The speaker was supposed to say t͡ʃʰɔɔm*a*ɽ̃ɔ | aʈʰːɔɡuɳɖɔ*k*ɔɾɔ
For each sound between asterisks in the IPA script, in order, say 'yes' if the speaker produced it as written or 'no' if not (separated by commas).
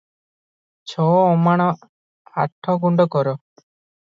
yes, yes